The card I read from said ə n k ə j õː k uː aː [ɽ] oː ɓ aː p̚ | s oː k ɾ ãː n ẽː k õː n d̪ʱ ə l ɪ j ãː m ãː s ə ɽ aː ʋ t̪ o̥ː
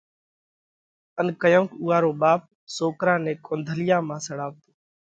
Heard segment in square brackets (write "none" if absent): ɾ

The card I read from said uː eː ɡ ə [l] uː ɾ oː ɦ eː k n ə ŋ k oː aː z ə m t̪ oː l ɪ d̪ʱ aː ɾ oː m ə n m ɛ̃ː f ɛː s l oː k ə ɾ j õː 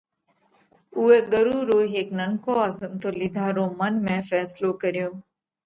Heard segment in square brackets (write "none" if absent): ɾ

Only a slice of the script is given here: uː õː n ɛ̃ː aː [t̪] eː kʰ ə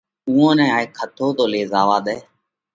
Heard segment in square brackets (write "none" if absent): none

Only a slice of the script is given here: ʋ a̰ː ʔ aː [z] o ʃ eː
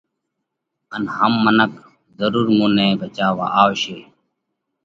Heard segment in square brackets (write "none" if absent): none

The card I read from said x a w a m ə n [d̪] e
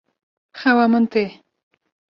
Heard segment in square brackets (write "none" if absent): t̪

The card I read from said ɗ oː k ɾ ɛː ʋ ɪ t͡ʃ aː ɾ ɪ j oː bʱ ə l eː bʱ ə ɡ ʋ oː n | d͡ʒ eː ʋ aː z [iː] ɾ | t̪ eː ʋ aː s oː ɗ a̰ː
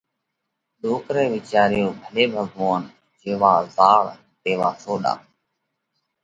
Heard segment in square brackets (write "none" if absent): aː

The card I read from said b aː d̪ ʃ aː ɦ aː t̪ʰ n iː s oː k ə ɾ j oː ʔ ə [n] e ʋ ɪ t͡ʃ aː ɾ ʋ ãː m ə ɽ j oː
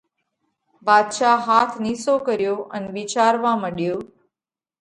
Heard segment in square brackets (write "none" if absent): n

